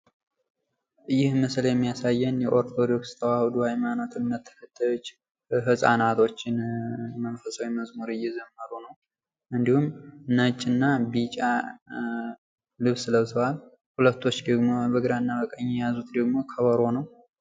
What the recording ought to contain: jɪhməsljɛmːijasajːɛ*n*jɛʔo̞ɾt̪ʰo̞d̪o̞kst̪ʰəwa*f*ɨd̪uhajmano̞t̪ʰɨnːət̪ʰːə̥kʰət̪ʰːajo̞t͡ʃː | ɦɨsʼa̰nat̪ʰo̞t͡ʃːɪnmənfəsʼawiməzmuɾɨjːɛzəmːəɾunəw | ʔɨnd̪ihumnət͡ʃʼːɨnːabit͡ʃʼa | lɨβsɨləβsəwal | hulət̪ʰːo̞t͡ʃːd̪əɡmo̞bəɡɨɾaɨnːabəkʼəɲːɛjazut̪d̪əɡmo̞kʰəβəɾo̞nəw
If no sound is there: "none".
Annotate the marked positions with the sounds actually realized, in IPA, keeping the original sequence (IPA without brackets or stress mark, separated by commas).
n, h